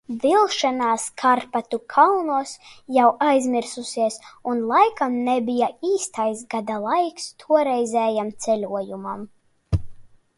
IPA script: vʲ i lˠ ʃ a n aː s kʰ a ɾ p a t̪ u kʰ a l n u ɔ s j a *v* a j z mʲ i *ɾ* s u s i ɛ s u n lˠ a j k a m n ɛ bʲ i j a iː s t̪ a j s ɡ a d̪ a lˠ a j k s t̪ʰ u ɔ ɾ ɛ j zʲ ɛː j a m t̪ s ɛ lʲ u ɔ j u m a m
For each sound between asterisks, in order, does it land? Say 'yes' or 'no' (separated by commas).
no, yes